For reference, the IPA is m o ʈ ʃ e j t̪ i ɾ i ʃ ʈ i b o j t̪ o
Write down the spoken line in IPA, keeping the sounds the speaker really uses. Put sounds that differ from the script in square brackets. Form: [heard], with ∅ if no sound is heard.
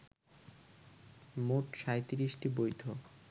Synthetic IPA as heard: m o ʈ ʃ [a] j t̪ i ɾ i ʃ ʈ i b o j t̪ o